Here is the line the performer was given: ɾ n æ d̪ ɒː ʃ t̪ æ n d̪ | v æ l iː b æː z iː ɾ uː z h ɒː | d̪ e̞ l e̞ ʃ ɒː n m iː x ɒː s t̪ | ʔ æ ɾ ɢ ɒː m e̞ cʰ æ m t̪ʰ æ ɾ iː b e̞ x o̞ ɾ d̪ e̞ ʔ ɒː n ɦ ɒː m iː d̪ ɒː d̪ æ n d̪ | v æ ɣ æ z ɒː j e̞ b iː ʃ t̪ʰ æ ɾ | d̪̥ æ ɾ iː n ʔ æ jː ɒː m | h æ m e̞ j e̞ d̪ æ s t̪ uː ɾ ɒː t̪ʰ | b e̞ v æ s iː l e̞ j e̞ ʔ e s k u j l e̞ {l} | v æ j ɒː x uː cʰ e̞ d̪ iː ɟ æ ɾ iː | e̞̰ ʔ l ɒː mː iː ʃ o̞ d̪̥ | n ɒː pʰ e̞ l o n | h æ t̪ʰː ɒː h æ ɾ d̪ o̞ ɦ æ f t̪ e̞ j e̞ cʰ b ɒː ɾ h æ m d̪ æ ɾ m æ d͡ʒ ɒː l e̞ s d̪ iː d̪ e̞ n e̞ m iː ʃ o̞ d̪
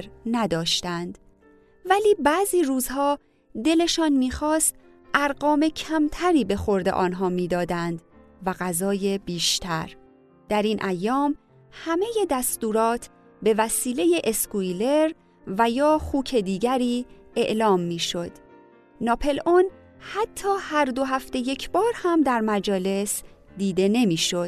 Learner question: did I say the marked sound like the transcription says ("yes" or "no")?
no